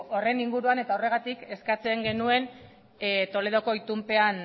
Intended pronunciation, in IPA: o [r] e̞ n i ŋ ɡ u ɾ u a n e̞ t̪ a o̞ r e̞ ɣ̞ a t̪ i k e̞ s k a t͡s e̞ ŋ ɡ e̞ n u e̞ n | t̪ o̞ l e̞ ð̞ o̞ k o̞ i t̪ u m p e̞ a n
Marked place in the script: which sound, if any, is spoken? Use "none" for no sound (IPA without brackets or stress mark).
r